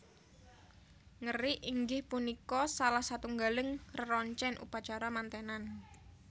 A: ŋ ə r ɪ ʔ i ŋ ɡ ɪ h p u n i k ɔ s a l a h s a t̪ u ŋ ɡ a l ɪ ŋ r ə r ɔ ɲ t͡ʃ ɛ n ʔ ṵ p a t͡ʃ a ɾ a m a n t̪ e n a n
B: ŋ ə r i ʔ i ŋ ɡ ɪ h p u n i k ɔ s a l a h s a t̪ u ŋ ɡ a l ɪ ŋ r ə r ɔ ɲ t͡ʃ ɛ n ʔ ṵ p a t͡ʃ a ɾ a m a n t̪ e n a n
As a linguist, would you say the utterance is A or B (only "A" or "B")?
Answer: B